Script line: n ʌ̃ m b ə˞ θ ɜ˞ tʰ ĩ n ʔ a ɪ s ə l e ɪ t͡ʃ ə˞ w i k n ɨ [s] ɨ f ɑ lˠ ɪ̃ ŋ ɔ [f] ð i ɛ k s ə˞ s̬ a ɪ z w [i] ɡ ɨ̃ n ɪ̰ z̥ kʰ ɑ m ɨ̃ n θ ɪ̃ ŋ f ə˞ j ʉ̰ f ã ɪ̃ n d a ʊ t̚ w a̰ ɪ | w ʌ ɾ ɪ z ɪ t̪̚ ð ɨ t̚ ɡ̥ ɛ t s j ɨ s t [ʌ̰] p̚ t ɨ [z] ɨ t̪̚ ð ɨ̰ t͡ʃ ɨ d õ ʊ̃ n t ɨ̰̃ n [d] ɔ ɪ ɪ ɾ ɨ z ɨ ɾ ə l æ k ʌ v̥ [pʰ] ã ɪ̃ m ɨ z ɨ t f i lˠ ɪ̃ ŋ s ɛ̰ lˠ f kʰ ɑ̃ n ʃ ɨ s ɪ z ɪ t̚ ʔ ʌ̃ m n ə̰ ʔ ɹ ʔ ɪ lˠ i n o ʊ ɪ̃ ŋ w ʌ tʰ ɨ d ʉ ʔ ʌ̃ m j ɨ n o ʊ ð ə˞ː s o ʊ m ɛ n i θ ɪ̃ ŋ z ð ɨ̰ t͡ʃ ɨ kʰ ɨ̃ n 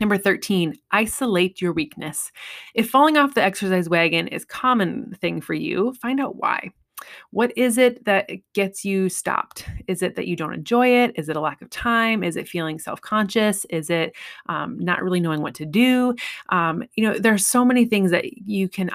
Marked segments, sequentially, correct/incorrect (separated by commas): correct, correct, incorrect, incorrect, correct, incorrect, incorrect